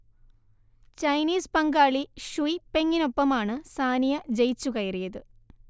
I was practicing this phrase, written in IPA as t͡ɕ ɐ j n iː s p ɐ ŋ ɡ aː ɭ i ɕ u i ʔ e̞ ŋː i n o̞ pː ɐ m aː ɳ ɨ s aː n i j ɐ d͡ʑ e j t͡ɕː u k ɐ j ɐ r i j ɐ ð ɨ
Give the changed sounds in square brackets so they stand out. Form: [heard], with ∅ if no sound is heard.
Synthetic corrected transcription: t͡ɕ ɐ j n iː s p ɐ ŋ ɡ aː ɭ i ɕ u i [p] e̞ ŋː i n o̞ pː ɐ m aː ɳ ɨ s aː n i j ɐ d͡ʑ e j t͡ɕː u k ɐ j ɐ r i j ɐ ð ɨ